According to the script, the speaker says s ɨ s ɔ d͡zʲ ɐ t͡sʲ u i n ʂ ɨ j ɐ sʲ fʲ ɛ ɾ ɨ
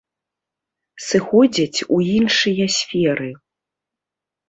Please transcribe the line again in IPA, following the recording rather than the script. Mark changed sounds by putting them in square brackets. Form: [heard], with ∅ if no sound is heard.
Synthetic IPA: s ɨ [x] ɔ d͡zʲ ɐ t͡sʲ u i n ʂ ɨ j ɐ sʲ fʲ ɛ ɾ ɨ